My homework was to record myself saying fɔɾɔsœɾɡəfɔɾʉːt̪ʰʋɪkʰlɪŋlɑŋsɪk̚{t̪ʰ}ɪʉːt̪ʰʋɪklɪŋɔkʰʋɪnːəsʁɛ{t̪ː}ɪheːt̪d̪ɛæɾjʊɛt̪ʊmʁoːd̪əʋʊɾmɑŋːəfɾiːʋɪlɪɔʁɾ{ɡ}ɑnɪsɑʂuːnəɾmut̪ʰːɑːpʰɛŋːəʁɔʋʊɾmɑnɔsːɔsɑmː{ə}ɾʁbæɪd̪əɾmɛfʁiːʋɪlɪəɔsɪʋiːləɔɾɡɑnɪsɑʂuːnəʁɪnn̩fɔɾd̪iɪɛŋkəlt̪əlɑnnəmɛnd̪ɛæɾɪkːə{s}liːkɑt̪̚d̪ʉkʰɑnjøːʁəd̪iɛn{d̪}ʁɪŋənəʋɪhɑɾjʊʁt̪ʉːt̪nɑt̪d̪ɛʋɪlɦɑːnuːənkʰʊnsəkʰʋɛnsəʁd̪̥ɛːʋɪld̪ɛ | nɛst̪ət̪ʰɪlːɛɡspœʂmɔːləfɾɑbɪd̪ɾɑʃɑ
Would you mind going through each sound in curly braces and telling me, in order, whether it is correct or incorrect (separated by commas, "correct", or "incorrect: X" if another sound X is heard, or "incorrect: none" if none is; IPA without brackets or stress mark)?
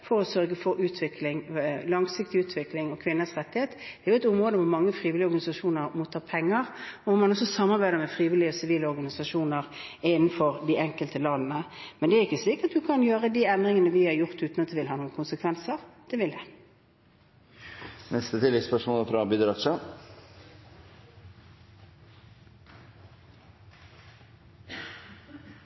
incorrect: t̪, correct, correct, incorrect: ɑ, correct, correct